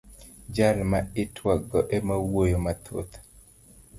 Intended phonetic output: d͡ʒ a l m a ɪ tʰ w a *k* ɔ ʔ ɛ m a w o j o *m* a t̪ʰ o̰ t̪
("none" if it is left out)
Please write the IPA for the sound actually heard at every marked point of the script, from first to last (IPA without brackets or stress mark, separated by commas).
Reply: ɡ, m